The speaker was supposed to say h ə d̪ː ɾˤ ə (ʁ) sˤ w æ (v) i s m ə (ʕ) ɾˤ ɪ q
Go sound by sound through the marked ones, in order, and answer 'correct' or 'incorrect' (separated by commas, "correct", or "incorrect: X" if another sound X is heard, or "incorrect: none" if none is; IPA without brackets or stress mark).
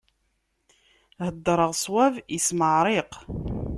correct, correct, correct